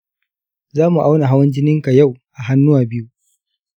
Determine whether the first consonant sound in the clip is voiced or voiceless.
voiced